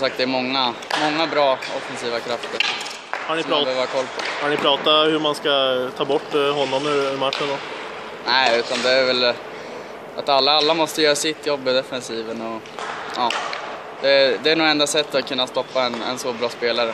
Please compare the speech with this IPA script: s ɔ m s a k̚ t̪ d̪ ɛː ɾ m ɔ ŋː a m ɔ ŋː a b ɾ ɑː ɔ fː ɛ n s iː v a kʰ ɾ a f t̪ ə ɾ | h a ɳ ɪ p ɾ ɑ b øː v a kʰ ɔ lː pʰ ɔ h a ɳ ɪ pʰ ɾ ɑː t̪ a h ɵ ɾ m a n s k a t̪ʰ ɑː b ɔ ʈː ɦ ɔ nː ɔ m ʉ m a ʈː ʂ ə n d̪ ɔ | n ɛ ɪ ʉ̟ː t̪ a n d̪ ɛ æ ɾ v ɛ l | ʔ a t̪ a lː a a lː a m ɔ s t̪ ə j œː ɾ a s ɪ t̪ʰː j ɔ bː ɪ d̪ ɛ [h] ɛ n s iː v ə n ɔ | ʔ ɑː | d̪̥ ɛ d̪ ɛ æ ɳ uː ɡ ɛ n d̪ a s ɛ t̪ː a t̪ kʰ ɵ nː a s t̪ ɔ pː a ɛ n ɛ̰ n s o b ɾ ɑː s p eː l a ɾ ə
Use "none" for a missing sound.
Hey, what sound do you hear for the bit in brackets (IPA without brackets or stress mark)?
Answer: f